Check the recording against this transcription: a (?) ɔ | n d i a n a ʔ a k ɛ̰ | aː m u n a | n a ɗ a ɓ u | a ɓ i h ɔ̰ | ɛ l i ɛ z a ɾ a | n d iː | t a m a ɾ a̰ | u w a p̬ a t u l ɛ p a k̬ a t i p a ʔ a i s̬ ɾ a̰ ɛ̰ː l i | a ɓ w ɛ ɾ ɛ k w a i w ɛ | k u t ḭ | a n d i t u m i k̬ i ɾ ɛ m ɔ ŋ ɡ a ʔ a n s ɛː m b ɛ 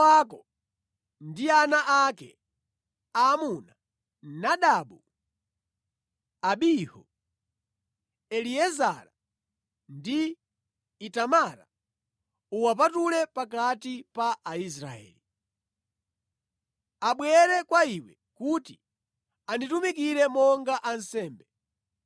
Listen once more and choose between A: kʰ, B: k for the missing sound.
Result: B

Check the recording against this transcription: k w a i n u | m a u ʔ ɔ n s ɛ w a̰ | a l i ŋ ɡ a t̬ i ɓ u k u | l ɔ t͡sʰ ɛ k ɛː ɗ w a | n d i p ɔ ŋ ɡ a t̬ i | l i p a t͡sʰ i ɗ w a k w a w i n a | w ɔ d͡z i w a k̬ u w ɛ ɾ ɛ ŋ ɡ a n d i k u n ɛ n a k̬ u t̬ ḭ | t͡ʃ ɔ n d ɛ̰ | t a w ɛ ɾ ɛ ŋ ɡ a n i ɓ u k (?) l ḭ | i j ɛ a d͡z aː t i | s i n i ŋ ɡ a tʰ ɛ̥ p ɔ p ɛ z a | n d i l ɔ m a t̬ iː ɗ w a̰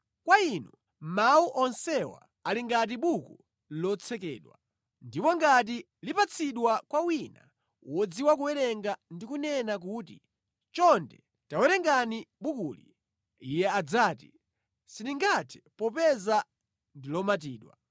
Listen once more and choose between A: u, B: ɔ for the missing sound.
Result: A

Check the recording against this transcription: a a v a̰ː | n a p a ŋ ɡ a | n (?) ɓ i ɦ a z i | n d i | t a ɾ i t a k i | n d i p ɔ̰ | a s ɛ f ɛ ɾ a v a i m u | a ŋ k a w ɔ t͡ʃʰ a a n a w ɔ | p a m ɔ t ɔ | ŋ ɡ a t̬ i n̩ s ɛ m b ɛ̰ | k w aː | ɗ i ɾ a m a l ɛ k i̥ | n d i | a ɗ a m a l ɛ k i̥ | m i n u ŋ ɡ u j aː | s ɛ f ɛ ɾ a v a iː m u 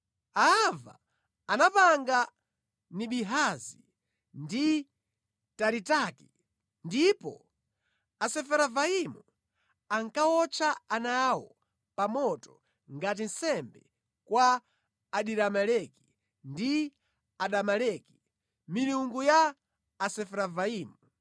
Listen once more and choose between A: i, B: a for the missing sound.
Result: A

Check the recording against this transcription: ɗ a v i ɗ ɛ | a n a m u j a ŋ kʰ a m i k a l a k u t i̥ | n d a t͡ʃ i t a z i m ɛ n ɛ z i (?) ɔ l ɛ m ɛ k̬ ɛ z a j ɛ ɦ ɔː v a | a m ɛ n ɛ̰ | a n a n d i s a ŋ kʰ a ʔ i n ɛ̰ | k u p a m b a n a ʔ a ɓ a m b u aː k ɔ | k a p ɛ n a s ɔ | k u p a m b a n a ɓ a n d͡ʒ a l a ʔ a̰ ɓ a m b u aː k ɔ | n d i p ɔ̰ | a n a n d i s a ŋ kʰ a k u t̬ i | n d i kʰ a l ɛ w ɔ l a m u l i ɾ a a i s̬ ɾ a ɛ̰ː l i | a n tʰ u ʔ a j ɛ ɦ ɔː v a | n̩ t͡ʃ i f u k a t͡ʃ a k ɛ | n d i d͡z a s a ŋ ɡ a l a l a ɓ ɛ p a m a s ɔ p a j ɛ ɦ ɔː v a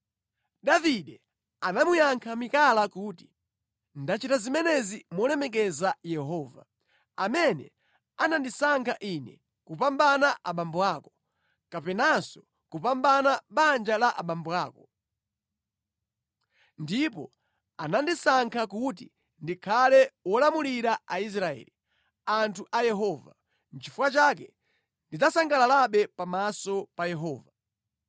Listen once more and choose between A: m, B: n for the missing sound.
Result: A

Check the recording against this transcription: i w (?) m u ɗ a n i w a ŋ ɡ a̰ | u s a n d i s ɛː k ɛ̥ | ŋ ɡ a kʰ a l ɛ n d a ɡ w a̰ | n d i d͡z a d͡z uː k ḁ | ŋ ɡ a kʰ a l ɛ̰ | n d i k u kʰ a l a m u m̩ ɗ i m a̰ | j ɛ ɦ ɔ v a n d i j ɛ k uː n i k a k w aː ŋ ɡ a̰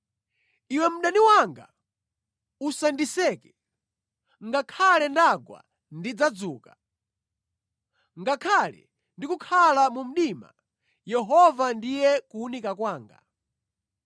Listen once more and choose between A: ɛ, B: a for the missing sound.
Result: A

